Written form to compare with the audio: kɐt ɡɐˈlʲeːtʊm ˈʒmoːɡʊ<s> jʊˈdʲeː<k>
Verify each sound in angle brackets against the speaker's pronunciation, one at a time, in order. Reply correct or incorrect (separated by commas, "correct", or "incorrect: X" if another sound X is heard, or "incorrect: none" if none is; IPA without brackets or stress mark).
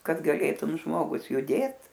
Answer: correct, incorrect: t